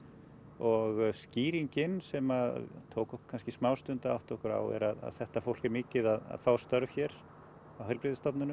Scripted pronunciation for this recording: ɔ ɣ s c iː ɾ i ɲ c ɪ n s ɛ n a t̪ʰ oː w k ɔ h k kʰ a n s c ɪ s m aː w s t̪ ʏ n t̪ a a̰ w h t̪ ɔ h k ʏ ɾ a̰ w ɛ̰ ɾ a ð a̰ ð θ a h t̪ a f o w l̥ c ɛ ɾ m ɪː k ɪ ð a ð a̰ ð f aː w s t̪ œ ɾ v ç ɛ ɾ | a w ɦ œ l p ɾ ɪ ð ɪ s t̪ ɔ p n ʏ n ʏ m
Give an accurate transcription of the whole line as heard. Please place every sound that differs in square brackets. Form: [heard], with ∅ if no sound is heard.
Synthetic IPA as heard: ɔ ɣ s c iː ɾ i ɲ c ɪ n s ɛ [m] a t̪ʰ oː w k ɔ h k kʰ a n s c ɪ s m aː w s t̪ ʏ n t̪ a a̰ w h t̪ ɔ h k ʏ ɾ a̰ w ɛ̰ ɾ a ð a̰ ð θ [ɛ] h t̪ a f o w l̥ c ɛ ɾ m ɪː [c] ɪ ð a ð a̰ ð f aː w s t̪ œ ɾ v ç ɛ ɾ | a w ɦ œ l p ɾ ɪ ð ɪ s t̪ ɔ p n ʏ n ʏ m

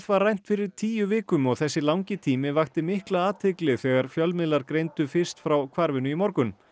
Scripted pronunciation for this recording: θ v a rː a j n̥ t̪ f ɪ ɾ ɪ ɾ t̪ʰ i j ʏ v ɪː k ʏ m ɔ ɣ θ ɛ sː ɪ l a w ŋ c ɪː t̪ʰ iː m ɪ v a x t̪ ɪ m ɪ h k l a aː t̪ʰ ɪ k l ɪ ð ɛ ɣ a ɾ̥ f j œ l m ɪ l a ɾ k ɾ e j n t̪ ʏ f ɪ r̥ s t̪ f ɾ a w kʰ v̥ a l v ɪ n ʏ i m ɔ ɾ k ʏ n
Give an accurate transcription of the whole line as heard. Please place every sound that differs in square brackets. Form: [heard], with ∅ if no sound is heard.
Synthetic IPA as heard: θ v a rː a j n̥ t̪ f ɪ ɾ ɪ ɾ t̪ʰ [iː] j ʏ v ɪː k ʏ m ɔ ɣ θ ɛ sː ɪ l a w ŋ c [ɪ] t̪ʰ iː m ɪ v a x t̪ ɪ m ɪ h k l a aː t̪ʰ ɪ k l ɪ [θ] ɛ ɣ a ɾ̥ f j œ l m ɪ l a ɾ k ɾ e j n t̪ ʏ f ɪ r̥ s t̪ f ɾ a w kʰ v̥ a [ɾ] v ɪ n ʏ i m ɔ ɾ k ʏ n

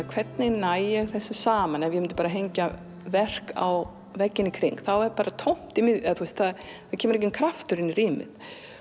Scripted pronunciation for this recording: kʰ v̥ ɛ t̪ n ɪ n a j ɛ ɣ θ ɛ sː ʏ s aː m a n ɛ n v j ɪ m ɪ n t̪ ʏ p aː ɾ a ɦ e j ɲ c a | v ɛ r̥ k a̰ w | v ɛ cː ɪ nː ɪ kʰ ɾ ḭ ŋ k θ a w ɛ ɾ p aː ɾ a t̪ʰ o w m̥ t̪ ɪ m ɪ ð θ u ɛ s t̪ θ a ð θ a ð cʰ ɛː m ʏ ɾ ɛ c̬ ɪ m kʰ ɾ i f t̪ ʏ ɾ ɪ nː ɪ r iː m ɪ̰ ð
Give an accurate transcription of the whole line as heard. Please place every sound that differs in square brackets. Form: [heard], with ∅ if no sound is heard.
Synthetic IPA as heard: kʰ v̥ ɛ t̪ n ɪ n a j ɛ ɣ θ ɛ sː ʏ s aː m a n ɛ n v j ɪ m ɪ n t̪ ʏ p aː ɾ a ɦ e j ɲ c a | v ɛ r̥ k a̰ w | v ɛ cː ɪ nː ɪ kʰ ɾ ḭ ŋ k θ a w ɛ ɾ p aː ɾ a t̪ʰ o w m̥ t̪ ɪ m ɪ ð θ u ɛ s t̪ θ a ð θ a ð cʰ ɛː m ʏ ɾ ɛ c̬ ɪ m kʰ ɾ [a] f t̪ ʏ ɾ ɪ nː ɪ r iː m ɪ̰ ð

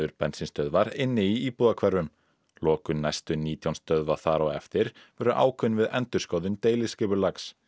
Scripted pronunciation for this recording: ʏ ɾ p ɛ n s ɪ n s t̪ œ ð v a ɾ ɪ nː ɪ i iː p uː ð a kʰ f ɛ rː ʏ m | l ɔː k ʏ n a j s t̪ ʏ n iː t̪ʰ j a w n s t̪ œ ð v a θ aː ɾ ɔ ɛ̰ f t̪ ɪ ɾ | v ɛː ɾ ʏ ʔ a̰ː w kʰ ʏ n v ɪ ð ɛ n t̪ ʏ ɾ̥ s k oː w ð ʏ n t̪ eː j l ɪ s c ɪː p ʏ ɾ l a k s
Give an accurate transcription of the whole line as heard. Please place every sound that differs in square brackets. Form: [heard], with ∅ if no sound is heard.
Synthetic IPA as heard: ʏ ɾ p ɛ n s ɪ n s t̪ œ ð v a ɾ ɪ nː ɪ i iː p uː ð a kʰ [v] ɛ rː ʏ m | l ɔː k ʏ n a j s t̪ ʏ n iː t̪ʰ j a w n s t̪ œ ð v a θ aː ɾ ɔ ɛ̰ f t̪ ɪ ɾ | v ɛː ɾ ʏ ʔ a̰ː w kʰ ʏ n v ɪ ð ɛ n t̪ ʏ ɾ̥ s k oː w ð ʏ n t̪ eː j l ɪ s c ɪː p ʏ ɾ l a k s

